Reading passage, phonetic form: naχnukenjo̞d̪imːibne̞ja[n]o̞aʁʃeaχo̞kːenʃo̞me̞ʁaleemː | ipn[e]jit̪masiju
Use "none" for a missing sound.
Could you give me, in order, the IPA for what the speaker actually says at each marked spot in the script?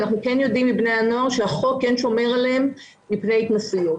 n, e

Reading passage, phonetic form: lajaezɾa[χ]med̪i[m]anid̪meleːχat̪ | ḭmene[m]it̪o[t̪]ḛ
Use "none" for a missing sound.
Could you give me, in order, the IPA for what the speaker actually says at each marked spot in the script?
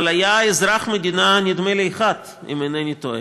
χ, n, n, none

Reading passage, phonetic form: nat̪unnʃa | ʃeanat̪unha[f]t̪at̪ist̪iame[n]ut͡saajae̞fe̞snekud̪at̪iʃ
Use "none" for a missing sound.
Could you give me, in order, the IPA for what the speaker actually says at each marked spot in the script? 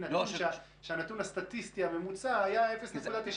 s, m

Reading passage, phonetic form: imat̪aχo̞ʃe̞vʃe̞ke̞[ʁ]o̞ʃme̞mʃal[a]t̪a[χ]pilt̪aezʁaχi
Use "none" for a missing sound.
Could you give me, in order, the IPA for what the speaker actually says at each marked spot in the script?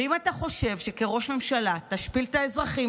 ʁ, a, ʃ

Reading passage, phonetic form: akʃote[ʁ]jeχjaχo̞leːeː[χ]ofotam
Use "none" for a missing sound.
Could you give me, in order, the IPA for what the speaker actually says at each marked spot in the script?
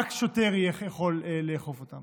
ʁ, χ

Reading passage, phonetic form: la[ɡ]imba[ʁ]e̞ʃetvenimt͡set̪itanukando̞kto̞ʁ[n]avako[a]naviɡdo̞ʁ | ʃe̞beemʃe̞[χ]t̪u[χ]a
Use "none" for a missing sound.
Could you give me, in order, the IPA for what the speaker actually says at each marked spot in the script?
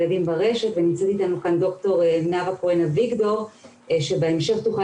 d, ʁ, n, e, χ, χ

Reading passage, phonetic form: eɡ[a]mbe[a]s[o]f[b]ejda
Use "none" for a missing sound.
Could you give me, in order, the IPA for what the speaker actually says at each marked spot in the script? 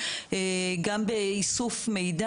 a, i, u, m

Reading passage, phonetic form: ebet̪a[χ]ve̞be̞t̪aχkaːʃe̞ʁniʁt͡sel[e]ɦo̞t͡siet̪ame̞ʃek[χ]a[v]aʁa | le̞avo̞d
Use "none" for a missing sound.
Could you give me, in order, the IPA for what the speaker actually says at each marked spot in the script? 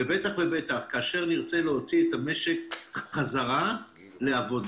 χ, e, χ, z

